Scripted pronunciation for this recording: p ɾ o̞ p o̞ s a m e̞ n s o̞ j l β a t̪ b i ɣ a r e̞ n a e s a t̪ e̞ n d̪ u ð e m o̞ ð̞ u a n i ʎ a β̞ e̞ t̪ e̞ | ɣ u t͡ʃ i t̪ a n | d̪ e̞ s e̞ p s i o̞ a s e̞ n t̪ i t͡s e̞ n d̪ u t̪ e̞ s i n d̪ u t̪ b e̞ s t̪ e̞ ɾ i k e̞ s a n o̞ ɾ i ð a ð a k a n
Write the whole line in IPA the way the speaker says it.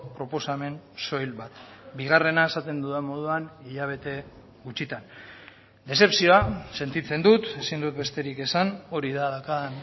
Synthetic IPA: p ɾ o̞ p o̞ s a m e̞ n s o̞ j l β a t̪ b i ɣ a r e̞ n a e s a t̪ e̞ n d̪ u ð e m o̞ ð̞ u a n i ʎ a β̞ e̞ t̪ e̞ | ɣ u t͡ʃ i t̪ a n | d̪ e̞ s e̞ p s i o̞ a s e̞ n t̪ i t͡s e̞ n d̪ u t̪ e̞ s i n d̪ u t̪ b e̞ s t̪ e̞ ɾ i k e̞ s a n o̞ ɾ i ð a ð a k a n